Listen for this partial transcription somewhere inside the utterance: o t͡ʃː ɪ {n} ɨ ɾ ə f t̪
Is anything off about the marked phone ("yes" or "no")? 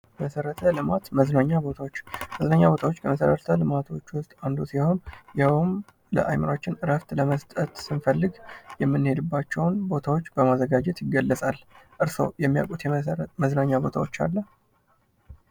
no